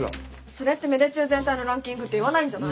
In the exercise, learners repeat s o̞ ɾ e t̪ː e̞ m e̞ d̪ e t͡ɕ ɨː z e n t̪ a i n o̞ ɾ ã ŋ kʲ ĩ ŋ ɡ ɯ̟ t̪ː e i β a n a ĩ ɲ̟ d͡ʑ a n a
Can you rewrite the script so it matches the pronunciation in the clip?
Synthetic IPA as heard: s o̞ ɾ e t̪ː e̞ m e̞ d̪ e t͡ɕ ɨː z e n t̪ a i n o̞ ɾ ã ŋ kʲ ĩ ŋ ɡ ɯ̟ t̪ː e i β a n a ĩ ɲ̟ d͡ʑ a n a